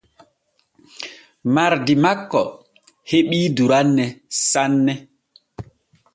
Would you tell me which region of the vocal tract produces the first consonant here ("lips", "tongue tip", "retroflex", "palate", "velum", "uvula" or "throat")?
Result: lips